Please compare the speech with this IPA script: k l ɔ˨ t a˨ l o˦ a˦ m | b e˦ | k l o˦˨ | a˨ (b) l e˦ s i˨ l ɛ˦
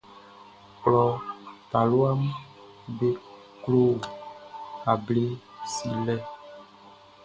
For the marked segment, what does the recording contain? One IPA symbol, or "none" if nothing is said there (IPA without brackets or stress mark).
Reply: b